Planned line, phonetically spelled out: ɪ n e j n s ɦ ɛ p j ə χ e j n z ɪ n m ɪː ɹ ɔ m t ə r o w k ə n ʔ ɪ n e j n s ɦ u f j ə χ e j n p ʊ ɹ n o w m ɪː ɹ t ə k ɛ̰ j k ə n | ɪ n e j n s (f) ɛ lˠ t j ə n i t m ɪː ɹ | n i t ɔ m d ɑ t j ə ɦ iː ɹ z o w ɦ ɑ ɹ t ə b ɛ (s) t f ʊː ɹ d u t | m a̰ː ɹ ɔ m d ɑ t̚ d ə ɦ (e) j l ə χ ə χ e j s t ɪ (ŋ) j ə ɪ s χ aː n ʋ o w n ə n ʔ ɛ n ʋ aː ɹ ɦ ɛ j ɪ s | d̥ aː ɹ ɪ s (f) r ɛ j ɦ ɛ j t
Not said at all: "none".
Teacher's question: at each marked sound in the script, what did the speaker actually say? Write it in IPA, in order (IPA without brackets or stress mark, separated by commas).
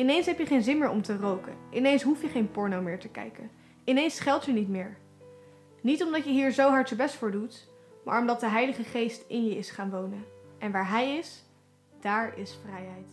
χ, s, ɛ, n, f